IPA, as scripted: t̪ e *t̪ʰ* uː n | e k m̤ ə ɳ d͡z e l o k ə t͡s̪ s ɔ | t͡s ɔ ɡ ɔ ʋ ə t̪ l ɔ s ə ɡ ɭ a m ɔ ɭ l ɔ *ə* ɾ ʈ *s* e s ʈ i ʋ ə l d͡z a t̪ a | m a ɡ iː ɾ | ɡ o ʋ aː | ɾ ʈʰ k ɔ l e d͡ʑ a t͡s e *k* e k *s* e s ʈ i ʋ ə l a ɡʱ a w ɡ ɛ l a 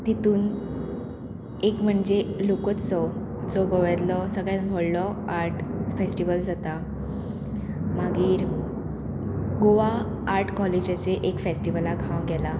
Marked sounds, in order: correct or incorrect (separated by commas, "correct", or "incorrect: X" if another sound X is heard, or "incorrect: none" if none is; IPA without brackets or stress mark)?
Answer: incorrect: t̪, incorrect: a, incorrect: f, incorrect: ʔ, incorrect: f